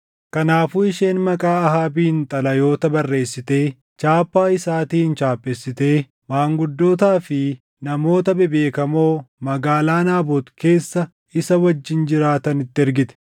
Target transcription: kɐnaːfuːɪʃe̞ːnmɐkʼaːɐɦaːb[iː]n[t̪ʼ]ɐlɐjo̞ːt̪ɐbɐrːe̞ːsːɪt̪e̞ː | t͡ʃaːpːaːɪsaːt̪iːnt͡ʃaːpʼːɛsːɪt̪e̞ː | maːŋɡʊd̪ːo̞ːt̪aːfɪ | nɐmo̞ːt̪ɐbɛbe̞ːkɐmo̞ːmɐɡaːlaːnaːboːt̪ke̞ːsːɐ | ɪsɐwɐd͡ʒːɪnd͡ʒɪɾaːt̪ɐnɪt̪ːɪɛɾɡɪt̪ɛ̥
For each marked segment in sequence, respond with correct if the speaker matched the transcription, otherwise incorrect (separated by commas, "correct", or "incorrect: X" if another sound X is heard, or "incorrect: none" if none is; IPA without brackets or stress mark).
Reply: correct, correct